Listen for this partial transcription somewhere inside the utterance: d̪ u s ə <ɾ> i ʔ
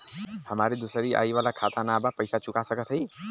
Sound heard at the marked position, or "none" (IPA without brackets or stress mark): ɾ